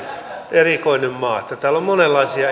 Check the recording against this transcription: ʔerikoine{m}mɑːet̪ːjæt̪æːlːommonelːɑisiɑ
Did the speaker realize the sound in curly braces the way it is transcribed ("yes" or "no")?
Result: yes